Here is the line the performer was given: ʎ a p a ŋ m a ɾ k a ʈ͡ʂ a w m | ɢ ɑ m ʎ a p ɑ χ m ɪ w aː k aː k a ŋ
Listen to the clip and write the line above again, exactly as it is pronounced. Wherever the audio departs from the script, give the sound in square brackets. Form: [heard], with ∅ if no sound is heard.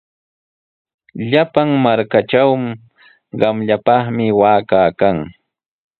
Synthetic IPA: ʎ a p a ŋ m a ɾ k a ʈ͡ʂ a w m | ɢ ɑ m ʎ a p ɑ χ m ɪ w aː k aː k a ŋ